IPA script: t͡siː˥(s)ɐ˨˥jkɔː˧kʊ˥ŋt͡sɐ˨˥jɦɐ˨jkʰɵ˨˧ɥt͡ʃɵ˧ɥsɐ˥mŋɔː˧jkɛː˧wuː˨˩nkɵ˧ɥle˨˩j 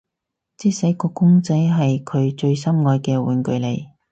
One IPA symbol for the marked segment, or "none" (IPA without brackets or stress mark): s